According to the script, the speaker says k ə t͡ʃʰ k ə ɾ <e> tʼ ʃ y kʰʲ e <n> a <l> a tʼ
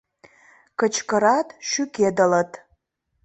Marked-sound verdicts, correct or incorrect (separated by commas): incorrect, incorrect, correct